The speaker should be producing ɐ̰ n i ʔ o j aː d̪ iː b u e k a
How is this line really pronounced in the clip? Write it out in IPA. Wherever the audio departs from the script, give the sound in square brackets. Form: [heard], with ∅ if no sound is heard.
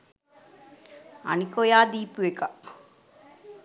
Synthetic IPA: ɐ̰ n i [k] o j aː d̪ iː [p] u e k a